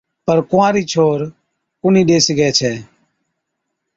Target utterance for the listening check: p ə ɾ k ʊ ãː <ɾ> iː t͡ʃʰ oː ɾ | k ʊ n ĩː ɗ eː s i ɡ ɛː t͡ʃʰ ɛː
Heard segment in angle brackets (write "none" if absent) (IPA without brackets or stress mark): ɾ